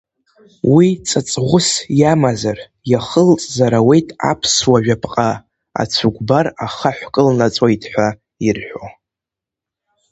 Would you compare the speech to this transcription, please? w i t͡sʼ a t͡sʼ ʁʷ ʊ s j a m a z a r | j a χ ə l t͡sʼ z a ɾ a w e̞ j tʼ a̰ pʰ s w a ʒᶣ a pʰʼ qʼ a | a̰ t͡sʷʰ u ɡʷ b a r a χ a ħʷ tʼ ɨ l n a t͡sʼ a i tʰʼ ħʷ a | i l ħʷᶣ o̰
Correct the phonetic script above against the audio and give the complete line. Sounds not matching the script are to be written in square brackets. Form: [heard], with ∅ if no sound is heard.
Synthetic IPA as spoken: w i t͡sʼ a t͡sʼ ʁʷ ʊ s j a m a z a r | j a χ ə l t͡sʼ z a ɾ a w e̞ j tʼ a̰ pʰ s w a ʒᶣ a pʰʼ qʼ a | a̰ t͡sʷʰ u ɡʷ b a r a χ a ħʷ [kʼ] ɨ l n a t͡sʼ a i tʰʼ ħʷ a | i [r] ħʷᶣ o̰